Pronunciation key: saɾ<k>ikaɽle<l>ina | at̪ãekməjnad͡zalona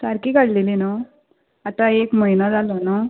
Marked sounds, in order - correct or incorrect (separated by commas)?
correct, correct